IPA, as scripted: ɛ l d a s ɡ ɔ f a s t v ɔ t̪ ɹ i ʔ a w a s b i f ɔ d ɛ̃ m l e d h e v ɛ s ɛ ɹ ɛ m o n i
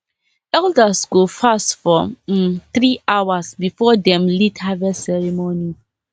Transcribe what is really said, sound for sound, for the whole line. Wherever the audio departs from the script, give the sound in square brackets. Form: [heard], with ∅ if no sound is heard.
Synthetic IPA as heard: ɛ l d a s ɡ [o] f a s t [f] ɔ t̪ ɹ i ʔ a w a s b i f ɔ d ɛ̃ m l [i] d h [a] v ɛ s ɛ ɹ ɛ m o n i

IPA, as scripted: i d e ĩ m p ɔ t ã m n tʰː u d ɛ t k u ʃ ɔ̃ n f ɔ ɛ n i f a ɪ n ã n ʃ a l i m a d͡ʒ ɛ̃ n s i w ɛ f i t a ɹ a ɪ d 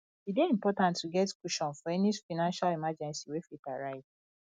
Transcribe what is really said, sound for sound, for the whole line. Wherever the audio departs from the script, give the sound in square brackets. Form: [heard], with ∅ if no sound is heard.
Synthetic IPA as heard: i d e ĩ m p ɔ t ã [∅] n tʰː u [ɡ] ɛ t k u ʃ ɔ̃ n f ɔ ɛ n i f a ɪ n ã n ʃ a l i m a d͡ʒ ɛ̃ n s i w [e] f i t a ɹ a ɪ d

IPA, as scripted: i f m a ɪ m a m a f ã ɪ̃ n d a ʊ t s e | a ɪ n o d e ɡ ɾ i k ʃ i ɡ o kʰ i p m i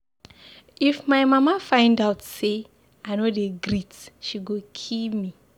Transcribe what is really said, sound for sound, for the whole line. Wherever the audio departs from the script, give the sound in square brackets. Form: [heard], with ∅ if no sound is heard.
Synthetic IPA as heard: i f m a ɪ m a m a f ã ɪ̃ n d a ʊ t s e | a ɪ n o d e ɡ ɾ i [t] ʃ i ɡ o kʰ i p m i

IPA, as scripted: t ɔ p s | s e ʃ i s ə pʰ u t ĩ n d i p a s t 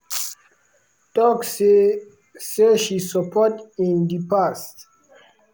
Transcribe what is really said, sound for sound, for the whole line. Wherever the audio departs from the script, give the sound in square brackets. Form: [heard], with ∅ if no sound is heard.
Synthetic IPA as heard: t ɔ [k] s | s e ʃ i s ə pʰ [ɔ] t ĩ n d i p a s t

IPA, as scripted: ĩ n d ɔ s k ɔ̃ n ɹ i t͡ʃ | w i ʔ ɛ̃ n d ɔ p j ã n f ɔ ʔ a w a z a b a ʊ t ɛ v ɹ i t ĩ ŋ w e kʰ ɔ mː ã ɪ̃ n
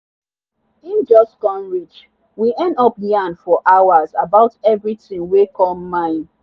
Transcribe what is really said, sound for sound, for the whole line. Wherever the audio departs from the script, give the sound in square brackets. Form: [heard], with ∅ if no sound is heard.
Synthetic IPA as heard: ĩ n [d͡ʒ] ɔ s k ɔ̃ n ɹ i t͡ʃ | w i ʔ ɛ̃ n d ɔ p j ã n f ɔ ʔ a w a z a b a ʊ t ɛ v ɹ i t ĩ ŋ w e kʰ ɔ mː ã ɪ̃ n

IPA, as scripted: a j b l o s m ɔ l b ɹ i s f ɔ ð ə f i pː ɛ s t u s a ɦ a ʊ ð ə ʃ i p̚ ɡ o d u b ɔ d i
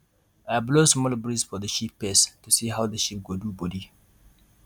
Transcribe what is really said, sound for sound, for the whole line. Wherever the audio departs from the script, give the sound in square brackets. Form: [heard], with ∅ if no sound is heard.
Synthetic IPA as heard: a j b l o s m ɔ l b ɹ i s f ɔ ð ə [ʃ] i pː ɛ s t u s [i] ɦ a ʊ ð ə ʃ i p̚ ɡ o d u b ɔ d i

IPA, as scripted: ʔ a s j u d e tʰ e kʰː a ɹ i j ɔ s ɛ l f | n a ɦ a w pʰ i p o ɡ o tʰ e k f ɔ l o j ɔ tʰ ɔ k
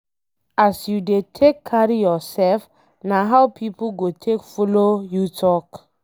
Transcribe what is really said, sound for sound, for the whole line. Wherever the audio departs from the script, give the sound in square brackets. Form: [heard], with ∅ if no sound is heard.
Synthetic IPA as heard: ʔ a s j u d e tʰ e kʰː a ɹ i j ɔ s ɛ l f | n a ɦ a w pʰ i p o ɡ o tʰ e k f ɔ l o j [u] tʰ ɔ k

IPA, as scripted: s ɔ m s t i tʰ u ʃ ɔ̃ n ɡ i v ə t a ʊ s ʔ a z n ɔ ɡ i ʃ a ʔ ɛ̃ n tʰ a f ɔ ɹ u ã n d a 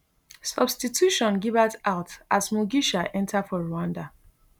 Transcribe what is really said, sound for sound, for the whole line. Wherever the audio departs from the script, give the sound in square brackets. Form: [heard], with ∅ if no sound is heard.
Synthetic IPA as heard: s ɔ [b] s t i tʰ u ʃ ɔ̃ n ɡ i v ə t a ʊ [t] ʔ a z [m] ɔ ɡ i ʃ a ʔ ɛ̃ n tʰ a f ɔ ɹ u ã n d a

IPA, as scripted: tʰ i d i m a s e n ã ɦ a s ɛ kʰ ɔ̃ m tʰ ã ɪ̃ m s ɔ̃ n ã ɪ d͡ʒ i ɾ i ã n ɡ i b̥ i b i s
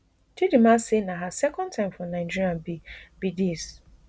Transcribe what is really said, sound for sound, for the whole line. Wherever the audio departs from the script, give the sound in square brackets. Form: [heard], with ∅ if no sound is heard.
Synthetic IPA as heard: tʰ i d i m a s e n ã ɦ a s ɛ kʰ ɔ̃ [n] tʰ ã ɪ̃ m [f] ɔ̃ n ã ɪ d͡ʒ i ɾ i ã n [b] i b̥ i [d] i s

